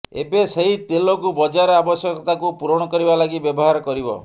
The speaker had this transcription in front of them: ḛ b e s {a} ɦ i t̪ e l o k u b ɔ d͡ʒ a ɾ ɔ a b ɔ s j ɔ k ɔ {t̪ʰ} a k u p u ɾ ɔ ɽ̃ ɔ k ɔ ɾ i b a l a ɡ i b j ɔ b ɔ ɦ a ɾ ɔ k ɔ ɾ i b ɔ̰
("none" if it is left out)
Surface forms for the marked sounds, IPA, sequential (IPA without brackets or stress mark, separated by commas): e, t̪